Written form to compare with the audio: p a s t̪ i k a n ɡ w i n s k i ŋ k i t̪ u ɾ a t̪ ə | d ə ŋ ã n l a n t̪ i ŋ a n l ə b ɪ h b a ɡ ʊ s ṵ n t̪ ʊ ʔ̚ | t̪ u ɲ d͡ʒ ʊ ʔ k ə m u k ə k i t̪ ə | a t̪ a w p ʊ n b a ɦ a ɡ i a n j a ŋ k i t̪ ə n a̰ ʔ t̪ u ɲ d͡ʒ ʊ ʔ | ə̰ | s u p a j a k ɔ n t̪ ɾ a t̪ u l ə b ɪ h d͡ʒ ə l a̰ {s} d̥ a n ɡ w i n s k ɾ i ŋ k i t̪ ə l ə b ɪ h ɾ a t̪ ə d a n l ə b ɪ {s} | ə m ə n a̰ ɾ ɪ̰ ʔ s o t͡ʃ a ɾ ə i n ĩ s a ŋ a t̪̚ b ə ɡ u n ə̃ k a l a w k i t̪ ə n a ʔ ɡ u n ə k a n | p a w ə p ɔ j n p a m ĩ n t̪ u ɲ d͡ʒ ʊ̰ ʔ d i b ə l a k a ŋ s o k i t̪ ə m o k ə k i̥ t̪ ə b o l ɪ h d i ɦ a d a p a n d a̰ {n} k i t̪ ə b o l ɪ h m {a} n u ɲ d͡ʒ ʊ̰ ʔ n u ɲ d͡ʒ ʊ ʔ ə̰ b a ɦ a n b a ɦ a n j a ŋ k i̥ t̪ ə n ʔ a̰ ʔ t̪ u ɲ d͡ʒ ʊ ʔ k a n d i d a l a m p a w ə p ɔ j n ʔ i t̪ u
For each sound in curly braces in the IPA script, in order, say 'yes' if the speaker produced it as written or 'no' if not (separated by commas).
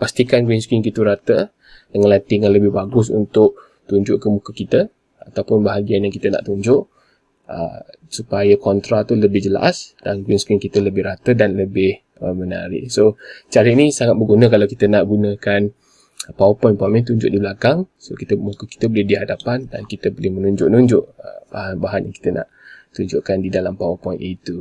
yes, no, yes, no